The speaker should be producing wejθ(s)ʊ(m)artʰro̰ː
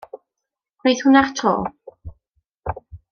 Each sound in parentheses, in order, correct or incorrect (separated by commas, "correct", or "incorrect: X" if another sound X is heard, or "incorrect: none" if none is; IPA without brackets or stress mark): incorrect: h, incorrect: n